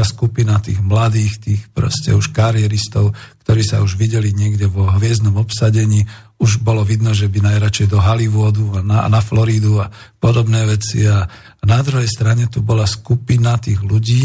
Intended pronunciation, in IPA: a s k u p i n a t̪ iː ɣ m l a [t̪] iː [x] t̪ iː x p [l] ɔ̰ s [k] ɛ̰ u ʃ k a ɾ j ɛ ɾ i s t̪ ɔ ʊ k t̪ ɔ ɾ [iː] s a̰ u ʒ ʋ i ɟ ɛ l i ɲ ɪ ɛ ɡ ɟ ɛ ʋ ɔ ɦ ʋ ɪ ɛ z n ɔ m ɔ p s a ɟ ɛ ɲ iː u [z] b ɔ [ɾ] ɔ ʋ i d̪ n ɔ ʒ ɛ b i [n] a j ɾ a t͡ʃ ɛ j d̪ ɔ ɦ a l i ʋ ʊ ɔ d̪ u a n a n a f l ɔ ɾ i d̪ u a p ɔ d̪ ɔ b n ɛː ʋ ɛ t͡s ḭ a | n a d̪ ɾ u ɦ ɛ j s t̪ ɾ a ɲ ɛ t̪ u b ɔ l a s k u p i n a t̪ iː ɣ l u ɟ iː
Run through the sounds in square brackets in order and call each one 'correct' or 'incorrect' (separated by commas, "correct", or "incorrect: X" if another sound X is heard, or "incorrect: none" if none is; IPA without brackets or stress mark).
incorrect: d̪, correct, incorrect: ɾ, incorrect: c, correct, incorrect: ʒ, incorrect: l, correct